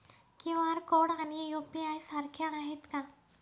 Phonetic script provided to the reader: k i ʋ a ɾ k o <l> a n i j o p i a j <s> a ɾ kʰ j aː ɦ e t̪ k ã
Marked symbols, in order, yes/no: no, yes

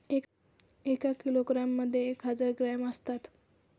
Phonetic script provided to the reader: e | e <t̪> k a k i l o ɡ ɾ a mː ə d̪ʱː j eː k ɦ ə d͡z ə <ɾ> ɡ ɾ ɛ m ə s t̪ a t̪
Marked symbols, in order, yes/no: no, yes

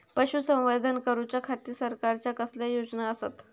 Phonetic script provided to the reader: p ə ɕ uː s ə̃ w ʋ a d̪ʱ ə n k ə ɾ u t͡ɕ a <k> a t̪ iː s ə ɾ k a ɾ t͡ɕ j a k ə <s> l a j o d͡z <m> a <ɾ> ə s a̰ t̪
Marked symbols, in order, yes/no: no, yes, no, no

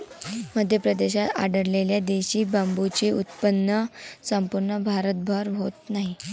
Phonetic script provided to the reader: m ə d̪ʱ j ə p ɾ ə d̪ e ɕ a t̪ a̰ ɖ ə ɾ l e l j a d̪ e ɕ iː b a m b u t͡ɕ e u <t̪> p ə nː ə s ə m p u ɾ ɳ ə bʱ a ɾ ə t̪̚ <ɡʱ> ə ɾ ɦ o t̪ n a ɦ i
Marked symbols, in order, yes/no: yes, no

